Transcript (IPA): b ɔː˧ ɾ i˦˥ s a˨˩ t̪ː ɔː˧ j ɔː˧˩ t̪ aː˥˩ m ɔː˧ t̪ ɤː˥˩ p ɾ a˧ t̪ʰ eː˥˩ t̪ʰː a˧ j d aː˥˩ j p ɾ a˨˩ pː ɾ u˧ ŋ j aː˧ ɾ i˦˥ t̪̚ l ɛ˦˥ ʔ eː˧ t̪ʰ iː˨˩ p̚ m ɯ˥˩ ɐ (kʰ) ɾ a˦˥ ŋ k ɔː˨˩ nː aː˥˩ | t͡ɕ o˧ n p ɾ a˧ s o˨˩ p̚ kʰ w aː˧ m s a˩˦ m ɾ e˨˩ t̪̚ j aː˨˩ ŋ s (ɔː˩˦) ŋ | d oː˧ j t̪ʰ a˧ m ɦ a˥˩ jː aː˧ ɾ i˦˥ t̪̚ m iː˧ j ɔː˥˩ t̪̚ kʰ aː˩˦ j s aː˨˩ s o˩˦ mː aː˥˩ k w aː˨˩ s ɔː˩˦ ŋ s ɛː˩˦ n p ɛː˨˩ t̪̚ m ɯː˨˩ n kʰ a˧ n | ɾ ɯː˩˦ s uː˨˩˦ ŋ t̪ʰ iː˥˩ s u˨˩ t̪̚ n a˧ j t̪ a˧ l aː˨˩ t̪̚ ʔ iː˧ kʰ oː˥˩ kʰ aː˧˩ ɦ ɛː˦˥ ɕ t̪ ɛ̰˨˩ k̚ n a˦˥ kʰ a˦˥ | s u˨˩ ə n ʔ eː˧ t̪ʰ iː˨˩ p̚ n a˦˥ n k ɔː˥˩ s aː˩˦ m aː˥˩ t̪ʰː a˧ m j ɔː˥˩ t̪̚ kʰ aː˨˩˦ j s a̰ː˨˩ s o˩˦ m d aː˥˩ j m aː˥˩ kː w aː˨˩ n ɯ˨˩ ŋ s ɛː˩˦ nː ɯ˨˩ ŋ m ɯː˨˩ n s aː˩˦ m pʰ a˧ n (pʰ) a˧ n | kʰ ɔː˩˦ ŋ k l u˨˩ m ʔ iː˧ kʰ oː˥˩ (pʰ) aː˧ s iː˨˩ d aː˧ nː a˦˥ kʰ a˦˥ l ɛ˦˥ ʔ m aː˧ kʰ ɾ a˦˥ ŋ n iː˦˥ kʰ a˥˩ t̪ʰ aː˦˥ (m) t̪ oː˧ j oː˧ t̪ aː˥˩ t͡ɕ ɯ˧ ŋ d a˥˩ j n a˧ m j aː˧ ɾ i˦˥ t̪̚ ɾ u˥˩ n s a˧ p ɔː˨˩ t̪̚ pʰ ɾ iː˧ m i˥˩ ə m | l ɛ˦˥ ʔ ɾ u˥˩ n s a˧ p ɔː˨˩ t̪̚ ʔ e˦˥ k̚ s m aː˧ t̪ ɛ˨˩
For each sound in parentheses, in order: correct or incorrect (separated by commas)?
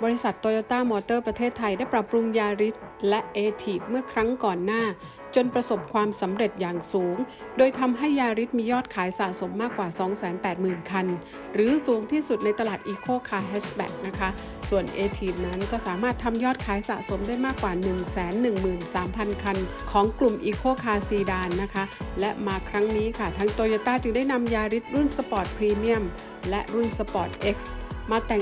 correct, incorrect, incorrect, incorrect, incorrect